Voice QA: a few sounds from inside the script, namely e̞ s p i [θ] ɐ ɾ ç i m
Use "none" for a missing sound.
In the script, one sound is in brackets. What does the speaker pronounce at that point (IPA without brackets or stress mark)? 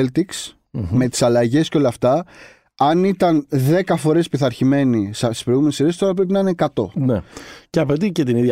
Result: θ